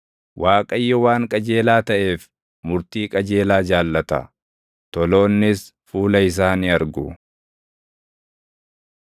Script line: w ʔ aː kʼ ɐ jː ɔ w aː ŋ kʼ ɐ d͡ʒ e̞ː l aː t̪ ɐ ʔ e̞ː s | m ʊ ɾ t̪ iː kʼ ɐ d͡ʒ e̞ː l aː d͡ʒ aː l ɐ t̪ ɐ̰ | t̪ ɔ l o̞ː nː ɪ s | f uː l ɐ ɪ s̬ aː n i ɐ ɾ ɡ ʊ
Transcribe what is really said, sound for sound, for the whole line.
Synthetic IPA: w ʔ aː kʼ ɐ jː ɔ w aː ŋ kʼ ɐ d͡ʒ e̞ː l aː t̪ ɐ ʔ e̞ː f | m ʊ ɾ t̪ iː kʼ ɐ d͡ʒ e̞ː l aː d͡ʒ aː lː ɐ t̪ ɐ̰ | t̪ ɔ l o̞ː nː ɪ s | f uː l ɐ ɪ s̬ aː n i ɐ ɾ ɡ ʊ